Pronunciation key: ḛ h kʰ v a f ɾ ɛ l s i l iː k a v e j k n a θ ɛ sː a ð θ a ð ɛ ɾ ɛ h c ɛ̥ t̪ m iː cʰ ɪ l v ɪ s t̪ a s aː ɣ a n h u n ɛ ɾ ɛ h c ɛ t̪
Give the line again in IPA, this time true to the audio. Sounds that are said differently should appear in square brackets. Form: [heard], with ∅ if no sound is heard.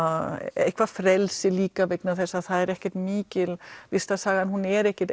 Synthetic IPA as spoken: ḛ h kʰ v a f ɾ ɛ l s [ɪ] l iː k a v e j k n a θ ɛ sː a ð θ a ð ɛ ɾ ɛ h c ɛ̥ t̪ m iː [c] ɪ l v ɪ s t̪ a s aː ɣ a n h u n ɛ ɾ ɛ h c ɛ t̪